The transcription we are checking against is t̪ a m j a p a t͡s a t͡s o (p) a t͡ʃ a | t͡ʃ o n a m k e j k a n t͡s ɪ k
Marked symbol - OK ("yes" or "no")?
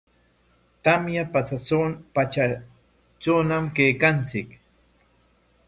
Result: yes